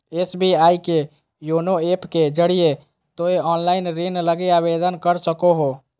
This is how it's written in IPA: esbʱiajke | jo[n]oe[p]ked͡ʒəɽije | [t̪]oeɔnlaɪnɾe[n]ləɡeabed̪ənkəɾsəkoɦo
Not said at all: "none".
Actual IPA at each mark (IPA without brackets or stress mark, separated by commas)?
n, p, t̪, n